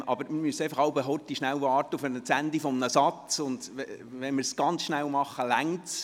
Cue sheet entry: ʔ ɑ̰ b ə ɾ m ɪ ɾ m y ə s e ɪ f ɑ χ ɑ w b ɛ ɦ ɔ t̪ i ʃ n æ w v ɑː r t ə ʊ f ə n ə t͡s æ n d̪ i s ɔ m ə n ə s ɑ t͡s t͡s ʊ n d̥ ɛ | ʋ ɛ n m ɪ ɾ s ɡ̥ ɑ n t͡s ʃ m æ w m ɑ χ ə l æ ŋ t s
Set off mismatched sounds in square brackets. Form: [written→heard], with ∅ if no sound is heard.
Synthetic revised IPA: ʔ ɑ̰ b ə ɾ m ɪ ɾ m y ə s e ɪ f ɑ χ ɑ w b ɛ ɦ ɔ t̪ i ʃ n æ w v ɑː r t ə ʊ f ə n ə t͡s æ n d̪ i [s→f] ɔ m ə n ə s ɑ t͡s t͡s ʊ n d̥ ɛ | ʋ ɛ n m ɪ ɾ s ɡ̥ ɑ n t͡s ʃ [m→n] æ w m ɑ χ ə l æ ŋ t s